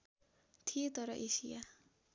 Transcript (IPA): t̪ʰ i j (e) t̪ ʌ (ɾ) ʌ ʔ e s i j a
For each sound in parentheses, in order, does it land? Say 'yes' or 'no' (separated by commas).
yes, yes